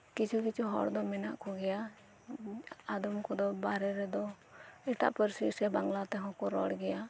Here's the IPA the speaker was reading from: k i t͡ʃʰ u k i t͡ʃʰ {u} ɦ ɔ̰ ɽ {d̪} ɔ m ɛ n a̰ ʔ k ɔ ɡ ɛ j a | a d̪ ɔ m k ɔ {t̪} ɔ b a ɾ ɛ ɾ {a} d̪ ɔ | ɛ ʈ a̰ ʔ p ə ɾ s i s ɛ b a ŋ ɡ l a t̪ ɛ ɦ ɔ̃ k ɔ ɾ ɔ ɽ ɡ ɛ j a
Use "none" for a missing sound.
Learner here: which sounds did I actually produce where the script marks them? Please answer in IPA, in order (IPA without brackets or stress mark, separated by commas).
u, d̪, d̪, ɛ